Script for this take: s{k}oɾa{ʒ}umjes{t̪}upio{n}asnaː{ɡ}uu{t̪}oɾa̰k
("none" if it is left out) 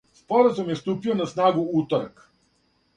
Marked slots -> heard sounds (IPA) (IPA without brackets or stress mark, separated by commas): p, z, t̪, n, ɡ, t̪